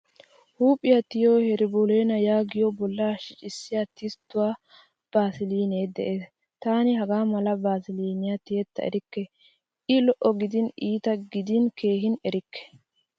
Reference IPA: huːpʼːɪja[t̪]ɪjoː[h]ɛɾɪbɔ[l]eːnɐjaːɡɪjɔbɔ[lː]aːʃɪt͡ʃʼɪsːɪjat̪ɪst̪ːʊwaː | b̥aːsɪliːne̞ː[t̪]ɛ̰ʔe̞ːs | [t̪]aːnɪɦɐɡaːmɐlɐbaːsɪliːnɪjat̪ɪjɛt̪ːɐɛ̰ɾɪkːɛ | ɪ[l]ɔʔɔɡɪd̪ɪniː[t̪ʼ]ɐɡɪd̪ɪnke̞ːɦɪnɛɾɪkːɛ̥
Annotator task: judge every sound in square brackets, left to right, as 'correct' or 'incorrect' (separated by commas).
correct, correct, correct, correct, incorrect, correct, correct, incorrect